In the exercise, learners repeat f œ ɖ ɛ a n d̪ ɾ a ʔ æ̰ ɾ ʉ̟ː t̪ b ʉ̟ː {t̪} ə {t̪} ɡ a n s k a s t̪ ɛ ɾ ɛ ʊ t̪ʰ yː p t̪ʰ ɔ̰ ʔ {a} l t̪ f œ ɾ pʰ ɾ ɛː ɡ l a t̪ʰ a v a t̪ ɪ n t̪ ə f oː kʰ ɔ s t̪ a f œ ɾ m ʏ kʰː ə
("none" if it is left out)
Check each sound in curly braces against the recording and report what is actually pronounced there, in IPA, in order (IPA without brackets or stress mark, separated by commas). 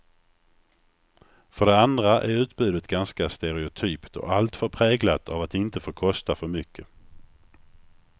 d̪, t̪, a